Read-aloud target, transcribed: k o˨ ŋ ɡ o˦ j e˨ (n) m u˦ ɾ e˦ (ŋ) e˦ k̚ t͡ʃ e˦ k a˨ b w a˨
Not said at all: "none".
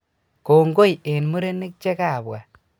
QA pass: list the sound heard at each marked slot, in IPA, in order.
n, n

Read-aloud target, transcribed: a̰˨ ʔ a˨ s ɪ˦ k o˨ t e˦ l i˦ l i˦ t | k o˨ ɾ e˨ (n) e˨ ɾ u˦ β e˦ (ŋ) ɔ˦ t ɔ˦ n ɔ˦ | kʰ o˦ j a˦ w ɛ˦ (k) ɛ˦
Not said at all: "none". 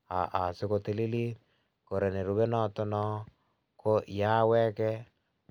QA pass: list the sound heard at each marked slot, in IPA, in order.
n, n, k

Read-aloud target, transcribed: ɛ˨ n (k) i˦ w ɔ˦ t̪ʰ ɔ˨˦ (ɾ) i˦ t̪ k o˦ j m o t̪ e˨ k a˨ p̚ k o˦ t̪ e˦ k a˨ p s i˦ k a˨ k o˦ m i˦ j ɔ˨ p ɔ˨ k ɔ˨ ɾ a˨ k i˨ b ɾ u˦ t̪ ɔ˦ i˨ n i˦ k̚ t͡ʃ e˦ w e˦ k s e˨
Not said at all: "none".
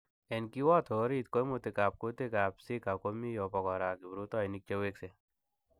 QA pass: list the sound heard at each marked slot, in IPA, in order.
k, ɾ

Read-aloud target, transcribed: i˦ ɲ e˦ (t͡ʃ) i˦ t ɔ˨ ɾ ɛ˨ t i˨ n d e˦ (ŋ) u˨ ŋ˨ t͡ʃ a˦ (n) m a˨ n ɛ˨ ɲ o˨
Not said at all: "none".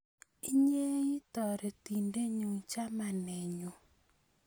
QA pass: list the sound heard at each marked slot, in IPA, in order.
none, ɲ, none

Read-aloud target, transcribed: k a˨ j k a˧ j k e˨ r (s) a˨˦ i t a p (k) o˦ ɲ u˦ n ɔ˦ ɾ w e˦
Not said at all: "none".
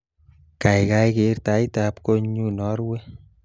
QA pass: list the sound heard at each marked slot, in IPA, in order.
t, k

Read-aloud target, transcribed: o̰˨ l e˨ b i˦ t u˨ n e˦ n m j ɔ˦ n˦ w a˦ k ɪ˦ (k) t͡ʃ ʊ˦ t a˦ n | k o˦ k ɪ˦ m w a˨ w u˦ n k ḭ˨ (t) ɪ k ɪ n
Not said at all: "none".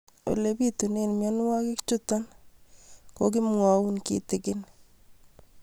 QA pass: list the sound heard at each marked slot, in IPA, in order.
k, t

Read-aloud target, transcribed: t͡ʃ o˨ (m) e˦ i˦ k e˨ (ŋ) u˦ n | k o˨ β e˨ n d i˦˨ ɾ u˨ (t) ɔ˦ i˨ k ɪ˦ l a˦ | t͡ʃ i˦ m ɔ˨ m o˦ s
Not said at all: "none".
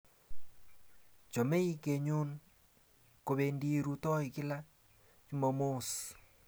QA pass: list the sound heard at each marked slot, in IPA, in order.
m, ɲ, t

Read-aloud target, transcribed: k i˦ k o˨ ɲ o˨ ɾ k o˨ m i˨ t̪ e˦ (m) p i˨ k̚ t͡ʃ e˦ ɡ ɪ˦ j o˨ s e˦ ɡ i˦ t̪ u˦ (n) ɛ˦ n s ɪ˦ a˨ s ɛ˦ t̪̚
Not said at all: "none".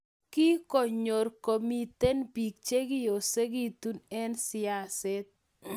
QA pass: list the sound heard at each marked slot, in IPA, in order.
n, n

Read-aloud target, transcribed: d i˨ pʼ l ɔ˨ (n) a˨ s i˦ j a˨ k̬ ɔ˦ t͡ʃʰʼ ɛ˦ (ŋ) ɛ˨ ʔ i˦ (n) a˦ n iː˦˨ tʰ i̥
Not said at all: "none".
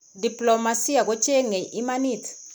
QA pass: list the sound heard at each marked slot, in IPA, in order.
m, ŋ, m

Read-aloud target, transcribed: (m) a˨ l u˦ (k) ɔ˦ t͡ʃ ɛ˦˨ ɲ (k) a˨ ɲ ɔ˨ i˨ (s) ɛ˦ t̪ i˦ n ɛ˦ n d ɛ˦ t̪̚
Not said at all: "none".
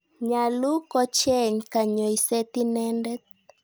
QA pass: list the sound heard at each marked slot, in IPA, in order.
ɲ, k, k, s

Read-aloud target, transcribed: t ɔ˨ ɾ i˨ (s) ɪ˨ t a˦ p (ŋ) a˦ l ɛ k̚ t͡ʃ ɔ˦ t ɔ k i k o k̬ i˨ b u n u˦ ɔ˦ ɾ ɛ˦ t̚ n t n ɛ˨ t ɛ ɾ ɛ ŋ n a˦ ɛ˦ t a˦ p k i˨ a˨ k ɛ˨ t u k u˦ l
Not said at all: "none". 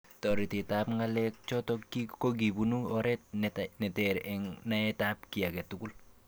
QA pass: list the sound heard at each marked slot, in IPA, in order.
t, ŋ

